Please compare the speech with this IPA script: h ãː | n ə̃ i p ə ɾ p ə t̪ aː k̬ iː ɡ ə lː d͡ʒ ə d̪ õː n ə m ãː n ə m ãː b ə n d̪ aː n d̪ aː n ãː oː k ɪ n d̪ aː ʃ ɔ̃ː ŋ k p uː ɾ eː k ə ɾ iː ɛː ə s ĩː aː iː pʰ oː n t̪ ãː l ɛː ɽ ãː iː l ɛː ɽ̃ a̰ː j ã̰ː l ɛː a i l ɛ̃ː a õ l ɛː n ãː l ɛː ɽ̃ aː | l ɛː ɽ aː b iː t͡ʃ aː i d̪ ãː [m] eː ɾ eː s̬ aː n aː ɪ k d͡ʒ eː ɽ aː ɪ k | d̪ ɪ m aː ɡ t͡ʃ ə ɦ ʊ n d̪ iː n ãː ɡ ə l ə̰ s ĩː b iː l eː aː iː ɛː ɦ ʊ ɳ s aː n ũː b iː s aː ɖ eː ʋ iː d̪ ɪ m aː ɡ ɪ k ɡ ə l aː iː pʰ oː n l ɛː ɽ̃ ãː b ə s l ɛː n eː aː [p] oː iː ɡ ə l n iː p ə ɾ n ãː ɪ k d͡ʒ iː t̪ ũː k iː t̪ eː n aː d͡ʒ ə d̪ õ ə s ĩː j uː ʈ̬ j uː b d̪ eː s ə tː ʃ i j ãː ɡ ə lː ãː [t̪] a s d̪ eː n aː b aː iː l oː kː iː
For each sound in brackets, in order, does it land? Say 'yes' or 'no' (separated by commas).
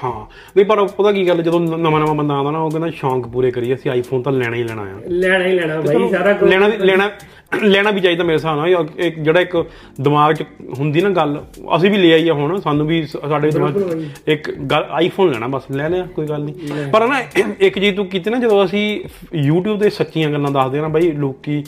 yes, no, no